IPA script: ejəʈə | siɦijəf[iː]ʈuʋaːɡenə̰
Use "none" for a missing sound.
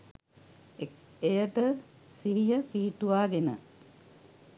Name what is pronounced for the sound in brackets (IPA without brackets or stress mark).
iː